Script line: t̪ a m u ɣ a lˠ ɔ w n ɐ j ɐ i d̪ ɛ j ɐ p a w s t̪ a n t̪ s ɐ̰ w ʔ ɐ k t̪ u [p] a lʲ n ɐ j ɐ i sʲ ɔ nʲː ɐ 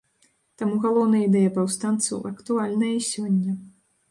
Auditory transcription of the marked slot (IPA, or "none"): none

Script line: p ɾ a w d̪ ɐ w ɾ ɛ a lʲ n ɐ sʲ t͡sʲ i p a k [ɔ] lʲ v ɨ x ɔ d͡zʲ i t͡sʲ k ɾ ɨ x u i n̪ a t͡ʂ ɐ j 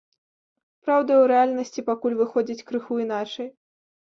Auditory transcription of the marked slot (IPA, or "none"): u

